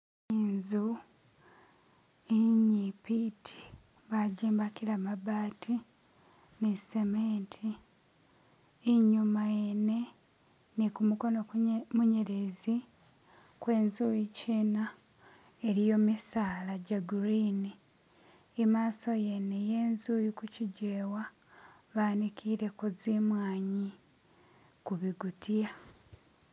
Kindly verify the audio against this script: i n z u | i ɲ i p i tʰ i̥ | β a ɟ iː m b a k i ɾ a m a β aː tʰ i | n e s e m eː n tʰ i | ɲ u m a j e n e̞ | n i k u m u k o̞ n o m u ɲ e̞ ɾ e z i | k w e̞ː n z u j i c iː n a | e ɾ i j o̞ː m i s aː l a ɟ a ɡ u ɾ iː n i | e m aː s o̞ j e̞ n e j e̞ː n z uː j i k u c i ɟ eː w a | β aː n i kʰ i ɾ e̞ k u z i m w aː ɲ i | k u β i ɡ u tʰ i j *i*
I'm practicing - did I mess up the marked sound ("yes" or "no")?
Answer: yes